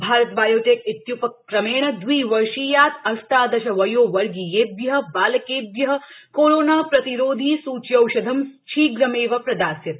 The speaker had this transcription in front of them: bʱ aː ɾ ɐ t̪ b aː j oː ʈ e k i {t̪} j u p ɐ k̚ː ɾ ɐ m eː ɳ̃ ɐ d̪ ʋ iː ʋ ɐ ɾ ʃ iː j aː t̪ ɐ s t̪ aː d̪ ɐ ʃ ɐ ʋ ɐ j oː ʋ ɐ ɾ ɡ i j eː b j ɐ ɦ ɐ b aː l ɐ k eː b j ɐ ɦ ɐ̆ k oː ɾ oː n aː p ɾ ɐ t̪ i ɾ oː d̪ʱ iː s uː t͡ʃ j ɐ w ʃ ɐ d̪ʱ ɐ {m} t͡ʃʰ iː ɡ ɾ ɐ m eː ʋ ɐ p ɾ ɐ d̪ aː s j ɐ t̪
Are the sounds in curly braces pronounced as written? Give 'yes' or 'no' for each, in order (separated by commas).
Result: yes, yes